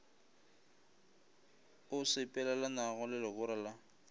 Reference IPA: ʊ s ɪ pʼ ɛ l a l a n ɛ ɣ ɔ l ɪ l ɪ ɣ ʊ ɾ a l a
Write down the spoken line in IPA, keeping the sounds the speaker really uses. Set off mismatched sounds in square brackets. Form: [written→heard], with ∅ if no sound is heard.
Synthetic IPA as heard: ʊ s ɪ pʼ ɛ l a l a n [ɛ→a] ɣ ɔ l ɪ l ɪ ɣ ʊ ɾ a l a